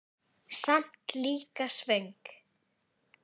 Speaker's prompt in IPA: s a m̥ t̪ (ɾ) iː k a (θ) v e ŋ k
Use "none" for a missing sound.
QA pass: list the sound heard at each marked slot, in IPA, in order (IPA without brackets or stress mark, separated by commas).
l, s